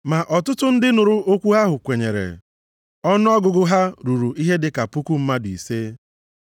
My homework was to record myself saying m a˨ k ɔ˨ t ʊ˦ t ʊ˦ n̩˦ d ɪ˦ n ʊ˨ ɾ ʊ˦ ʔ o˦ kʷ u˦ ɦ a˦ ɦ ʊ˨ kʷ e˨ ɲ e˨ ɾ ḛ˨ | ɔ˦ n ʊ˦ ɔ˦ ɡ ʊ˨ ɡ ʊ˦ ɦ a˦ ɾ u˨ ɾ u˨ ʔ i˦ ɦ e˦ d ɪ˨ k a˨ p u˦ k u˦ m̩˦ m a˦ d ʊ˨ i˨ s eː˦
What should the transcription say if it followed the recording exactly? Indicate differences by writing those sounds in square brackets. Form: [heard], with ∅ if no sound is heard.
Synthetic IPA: m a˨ [ʔ] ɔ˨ t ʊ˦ t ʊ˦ n̩˦ d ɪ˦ n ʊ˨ ɾ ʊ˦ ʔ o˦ kʷ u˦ ɦ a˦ ɦ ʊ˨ kʷ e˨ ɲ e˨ ɾ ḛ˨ | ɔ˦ n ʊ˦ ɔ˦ ɡ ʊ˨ ɡ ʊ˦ ɦ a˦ ɾ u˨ ɾ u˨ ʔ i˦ ɦ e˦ d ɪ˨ k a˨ p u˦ k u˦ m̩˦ m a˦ d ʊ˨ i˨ s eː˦